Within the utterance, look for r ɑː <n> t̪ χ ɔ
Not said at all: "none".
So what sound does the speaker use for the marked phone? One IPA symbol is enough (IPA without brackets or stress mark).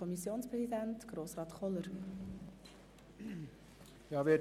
none